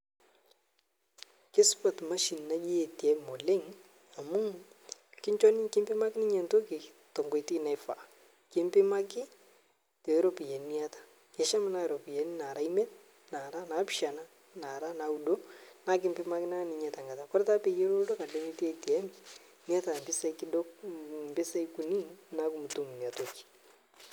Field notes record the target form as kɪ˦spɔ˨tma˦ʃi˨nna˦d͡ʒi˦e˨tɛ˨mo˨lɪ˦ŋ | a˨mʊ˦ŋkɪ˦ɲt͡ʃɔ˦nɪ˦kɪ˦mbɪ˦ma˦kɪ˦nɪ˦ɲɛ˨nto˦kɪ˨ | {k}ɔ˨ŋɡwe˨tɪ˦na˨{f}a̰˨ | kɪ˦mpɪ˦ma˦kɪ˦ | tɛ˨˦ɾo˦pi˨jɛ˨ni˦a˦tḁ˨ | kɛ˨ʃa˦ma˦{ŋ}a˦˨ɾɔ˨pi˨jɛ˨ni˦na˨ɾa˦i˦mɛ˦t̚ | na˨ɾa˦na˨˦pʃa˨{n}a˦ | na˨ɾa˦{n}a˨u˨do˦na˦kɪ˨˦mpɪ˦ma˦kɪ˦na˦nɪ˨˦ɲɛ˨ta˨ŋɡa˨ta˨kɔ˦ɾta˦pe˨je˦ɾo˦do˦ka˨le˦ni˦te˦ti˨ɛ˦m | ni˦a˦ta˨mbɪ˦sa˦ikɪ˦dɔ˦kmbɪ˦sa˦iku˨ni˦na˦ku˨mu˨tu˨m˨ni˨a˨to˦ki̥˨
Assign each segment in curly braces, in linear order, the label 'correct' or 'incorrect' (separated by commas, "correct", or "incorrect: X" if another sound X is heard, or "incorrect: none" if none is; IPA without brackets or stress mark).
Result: incorrect: t, correct, incorrect: n, correct, correct